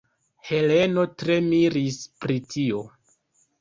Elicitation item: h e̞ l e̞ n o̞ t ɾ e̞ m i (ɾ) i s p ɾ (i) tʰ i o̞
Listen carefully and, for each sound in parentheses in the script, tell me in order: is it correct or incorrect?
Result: correct, correct

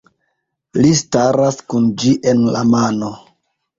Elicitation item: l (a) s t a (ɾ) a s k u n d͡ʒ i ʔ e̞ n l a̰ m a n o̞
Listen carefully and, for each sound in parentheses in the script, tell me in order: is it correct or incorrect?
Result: incorrect: i, correct

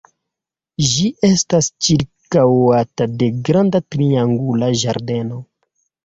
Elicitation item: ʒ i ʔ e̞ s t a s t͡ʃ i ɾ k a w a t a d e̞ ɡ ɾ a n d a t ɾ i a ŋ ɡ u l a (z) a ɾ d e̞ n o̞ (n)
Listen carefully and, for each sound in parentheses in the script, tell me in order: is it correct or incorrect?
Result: incorrect: ʒ, incorrect: none

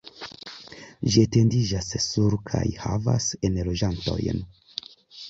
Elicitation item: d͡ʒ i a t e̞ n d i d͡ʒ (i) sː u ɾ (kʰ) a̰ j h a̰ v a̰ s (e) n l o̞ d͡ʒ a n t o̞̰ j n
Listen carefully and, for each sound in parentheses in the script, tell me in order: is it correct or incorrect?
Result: incorrect: a, correct, correct

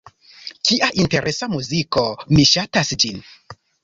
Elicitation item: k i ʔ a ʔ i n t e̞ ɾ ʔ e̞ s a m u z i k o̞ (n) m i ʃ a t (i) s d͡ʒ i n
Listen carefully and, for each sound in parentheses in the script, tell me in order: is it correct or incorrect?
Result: incorrect: none, incorrect: a

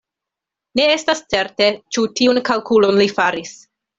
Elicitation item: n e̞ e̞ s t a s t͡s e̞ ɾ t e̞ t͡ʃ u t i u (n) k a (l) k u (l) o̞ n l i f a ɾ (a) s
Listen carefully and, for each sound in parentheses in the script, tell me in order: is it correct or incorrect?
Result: correct, correct, correct, incorrect: i

